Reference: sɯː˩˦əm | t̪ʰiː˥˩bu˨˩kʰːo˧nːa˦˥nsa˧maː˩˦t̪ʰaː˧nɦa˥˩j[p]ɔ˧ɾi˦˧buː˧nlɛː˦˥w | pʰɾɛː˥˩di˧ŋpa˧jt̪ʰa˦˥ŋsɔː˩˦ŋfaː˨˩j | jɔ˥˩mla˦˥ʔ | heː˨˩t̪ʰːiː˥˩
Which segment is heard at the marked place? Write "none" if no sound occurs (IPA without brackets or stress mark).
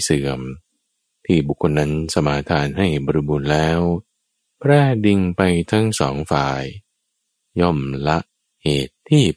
b